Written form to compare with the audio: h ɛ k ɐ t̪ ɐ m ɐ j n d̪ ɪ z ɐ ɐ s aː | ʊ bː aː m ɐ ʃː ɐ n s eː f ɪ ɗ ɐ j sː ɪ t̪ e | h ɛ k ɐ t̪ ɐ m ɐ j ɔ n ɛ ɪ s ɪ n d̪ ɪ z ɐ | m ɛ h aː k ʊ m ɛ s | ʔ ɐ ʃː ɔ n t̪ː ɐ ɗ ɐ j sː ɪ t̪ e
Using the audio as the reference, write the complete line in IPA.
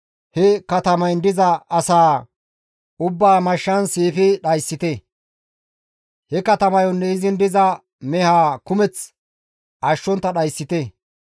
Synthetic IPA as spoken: h ɛ k ɐ t̪ ɐ m ɐ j n d̪ ɪ z ɐ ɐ s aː | ʊ bː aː m ɐ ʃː ɐ n s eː f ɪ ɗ ɐ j sː ɪ t̪ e | h ɛ k ɐ t̪ ɐ m ɐ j ɔ nː ɛ ɪ z ɪ n d̪ ɪ z ɐ | m ɛ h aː k ʊ m ɛ t͡s | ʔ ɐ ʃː ɔ n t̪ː ɐ ɗ ɐ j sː ɪ t̪ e